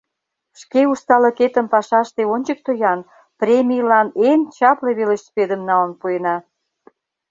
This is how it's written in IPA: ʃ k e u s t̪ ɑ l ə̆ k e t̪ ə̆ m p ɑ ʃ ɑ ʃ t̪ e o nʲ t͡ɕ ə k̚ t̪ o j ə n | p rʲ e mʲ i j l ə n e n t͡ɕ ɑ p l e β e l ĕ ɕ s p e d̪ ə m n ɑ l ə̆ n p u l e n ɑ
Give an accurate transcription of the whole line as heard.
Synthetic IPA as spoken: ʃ k e u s t̪ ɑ l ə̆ k e t̪ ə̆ m p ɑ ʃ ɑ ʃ t̪ e o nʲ t͡ɕ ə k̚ t̪ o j ɑ n | p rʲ e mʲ i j l ɑ n e n t͡ɕ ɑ p l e β e l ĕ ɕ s p e d̪ ə m n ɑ l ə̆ n p u e n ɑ